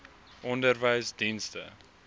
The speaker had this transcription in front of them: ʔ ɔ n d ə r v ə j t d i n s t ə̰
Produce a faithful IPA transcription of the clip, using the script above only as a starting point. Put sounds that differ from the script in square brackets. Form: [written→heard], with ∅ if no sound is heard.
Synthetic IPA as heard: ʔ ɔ n d ə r v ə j [t→s] d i n s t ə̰